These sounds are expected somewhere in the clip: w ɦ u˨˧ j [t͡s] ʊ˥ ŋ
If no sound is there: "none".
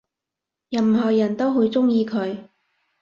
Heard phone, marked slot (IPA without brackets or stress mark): t͡s